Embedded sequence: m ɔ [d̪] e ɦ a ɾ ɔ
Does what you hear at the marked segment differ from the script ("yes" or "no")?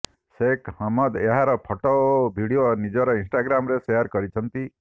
no